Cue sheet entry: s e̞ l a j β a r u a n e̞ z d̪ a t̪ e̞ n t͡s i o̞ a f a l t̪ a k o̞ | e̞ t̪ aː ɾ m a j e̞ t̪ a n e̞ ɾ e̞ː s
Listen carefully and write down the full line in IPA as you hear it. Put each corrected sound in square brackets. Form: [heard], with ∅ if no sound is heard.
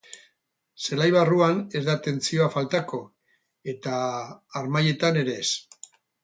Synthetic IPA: s e̞ l a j β a r u a n e̞ z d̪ a t̪ e̞ n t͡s i o̞ a f a l t̪ a k o̞ | e̞ t̪ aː ɾ m a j e̞ t̪ a n e̞ ɾ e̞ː s